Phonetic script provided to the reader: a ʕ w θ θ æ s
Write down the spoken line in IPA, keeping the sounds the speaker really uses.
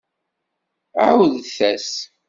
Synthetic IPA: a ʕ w ð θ æ s